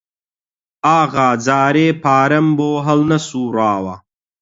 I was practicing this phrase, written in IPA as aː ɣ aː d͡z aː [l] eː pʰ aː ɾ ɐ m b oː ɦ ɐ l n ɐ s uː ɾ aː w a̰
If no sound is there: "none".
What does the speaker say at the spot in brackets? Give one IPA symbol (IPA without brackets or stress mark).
ɾ